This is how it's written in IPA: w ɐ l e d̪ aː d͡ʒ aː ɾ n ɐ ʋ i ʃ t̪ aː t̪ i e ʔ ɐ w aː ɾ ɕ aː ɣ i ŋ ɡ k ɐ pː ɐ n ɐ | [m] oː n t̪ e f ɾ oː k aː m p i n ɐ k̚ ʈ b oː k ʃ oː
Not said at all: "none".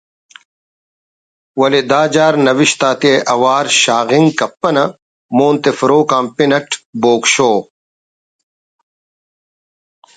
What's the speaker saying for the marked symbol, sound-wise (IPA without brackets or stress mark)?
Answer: m